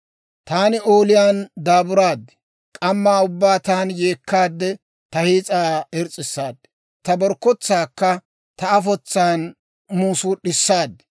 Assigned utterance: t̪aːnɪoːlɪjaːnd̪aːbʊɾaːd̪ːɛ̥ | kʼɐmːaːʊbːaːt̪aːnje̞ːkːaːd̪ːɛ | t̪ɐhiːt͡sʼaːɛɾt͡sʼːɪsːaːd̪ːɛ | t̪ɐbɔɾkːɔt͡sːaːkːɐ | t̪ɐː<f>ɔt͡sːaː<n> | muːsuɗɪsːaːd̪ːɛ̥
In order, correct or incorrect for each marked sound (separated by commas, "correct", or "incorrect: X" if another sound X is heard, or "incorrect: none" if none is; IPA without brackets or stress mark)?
correct, correct